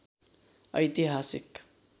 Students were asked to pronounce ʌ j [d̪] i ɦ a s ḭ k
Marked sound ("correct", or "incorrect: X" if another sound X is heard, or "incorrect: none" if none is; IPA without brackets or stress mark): incorrect: t̪